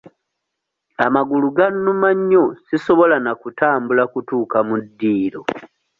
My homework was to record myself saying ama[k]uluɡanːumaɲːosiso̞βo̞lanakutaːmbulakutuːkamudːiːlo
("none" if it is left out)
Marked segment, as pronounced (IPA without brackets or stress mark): ɡ